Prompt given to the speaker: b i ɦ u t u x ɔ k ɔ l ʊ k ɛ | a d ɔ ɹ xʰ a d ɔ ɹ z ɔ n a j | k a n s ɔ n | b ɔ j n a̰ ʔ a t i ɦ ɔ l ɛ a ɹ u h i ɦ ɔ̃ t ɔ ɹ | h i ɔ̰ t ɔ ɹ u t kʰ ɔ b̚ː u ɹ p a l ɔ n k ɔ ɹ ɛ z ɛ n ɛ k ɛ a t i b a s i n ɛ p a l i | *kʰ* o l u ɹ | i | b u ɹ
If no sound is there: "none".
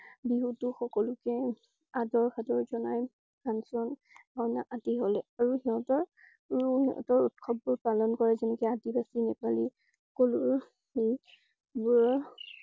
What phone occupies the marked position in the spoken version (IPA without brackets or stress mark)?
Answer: k